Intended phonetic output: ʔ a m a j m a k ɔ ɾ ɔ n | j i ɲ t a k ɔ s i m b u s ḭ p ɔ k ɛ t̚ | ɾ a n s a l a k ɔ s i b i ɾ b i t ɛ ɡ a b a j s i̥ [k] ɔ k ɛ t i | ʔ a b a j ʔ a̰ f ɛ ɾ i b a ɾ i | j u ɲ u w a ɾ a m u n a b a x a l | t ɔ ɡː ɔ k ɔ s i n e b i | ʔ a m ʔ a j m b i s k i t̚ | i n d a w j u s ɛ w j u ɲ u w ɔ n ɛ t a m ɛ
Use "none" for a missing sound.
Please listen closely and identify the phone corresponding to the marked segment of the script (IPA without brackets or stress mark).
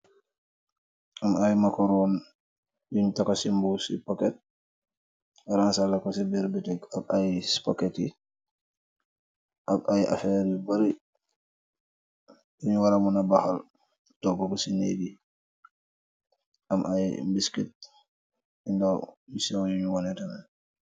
p